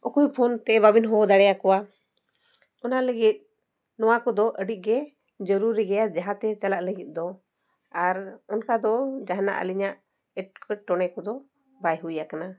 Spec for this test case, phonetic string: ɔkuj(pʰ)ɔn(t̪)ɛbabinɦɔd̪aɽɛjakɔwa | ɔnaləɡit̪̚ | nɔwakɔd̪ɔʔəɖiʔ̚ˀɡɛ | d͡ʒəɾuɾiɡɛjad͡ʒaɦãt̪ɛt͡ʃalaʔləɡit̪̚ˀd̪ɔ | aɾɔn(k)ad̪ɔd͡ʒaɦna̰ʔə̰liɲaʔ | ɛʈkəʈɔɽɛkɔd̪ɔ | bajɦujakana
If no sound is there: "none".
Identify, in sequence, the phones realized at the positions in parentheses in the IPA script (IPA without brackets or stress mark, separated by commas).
pʰ, t̪, k